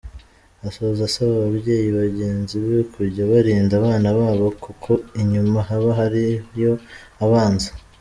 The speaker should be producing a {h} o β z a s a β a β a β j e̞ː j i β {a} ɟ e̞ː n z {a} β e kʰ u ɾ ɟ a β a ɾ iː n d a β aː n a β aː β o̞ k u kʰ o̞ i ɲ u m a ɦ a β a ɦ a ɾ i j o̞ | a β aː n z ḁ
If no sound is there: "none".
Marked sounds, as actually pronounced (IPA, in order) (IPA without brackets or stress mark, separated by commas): s, a, i